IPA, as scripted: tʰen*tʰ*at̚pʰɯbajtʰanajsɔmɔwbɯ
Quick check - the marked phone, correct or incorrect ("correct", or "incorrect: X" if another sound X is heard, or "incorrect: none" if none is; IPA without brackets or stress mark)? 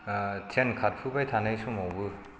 incorrect: kʰ